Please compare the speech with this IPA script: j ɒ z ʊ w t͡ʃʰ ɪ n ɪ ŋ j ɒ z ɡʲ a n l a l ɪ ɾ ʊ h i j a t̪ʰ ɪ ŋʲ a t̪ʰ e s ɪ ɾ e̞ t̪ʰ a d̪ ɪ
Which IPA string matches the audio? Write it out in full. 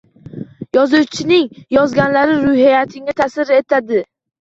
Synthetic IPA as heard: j ɒ z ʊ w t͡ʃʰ ɪ n ɪ ŋ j ɒ z ɡʲ a n l a ɾ ɪ ɾ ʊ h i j a t̪ʰ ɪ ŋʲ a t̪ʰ a s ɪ ɾ e̞ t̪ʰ a d̪ ɪ